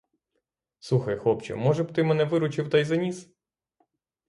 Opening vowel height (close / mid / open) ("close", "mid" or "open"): close